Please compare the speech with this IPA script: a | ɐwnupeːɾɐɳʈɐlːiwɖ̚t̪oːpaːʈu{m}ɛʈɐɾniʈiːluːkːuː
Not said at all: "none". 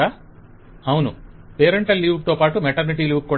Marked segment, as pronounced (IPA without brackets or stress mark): m